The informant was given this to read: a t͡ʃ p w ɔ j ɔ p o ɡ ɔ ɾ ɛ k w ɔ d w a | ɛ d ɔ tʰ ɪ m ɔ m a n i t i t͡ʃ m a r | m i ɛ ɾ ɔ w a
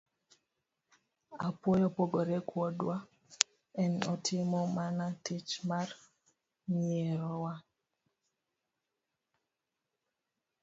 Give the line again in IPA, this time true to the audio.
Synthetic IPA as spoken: a p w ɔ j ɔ p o ɡ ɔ ɾ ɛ k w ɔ d w a | ɛ n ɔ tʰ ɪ m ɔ m a n a t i t͡ʃ m a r | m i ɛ ɾ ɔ w a